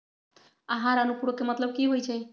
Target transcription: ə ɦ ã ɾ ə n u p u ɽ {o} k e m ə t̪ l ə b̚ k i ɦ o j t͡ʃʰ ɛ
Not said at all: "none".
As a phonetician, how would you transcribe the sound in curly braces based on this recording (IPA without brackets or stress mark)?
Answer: o